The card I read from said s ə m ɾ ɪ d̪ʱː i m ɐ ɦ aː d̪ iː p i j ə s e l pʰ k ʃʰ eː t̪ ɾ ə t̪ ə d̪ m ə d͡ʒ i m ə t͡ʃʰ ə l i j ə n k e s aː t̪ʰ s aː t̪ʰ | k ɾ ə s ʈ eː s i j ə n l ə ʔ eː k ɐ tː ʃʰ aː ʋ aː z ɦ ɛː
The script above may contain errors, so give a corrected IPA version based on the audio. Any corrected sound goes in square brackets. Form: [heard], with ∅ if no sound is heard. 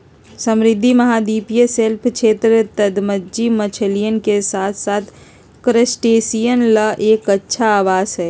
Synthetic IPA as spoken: s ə m ɾ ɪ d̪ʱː i m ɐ ɦ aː d̪ iː p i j ə s e l pʰ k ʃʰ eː t̪ ɾ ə t̪ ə d̪ m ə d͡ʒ i m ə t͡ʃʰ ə l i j ə n k e s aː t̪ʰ s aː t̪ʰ | k ɾ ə s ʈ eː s i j ə n l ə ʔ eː k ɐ tː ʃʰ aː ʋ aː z ɦ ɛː